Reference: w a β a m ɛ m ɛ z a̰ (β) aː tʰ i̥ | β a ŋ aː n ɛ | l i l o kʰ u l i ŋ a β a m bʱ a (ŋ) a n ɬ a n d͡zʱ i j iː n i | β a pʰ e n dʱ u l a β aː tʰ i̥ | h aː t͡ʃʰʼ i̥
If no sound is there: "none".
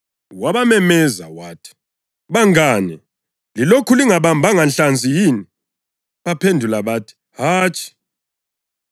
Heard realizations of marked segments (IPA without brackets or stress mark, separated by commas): w, ŋ